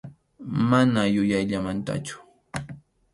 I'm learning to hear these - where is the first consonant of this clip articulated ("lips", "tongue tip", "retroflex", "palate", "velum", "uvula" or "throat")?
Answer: lips